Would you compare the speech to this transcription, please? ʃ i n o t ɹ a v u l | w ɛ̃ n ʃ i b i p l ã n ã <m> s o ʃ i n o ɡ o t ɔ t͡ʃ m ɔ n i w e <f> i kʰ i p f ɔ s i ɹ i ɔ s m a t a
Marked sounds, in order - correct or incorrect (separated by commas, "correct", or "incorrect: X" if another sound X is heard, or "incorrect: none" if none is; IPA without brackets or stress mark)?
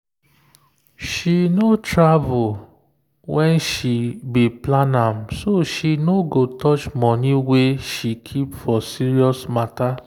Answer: correct, incorrect: ʃ